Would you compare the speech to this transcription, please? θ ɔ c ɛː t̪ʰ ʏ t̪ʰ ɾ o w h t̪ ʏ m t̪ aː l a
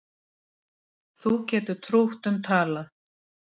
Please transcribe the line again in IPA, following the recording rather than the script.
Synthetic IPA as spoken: θ u c ɛː t̪ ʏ t̪ʰ ɾ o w h t̪ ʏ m t̪ʰ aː l a